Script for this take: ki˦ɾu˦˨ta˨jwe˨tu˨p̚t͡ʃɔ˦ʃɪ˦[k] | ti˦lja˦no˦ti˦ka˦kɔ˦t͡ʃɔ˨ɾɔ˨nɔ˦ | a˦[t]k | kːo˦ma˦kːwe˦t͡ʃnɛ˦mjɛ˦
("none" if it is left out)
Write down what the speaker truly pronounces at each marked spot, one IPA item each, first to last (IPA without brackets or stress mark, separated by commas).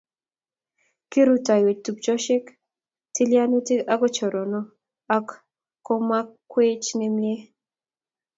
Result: k, none